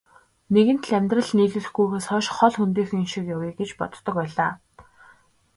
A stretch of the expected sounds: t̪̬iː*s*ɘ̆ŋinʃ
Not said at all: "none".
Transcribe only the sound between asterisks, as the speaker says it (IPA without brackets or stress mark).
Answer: x